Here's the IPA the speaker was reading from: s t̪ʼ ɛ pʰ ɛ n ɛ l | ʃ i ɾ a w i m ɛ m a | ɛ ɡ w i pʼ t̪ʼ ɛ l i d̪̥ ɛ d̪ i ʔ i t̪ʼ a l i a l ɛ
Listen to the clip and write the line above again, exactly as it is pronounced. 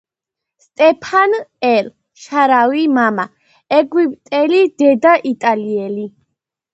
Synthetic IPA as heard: s t̪ʼ ɛ pʰ a n ɛ l | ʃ a ɾ a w i m a m a | ɛ ɡ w i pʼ t̪ʼ ɛ l i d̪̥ ɛ d̪ a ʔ i t̪ʼ a l i ɛ l i